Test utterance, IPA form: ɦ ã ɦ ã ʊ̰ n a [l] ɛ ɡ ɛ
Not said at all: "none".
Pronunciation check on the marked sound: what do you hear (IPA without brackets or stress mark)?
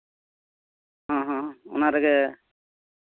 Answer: ɾ